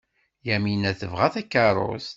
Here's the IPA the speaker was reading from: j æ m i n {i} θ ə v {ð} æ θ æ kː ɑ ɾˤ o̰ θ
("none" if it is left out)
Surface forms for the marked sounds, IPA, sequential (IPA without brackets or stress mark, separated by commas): æ, ʁ